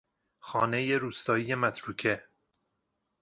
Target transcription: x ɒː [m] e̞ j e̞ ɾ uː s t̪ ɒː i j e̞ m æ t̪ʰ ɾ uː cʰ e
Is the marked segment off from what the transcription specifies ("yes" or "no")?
yes